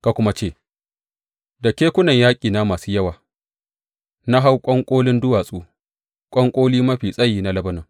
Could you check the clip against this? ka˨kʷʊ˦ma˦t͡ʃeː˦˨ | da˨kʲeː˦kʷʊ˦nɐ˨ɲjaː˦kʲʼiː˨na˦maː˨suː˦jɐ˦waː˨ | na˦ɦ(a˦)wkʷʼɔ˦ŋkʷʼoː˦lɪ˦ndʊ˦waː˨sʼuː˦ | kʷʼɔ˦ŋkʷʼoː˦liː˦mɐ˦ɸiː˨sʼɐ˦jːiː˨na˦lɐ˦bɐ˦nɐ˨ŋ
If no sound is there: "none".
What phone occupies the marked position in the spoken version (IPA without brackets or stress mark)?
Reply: a˦